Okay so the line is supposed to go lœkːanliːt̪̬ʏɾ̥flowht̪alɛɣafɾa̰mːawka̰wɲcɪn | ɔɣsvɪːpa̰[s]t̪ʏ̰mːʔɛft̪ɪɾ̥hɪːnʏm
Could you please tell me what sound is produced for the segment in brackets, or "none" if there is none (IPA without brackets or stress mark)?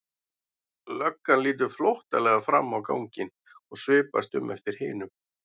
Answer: s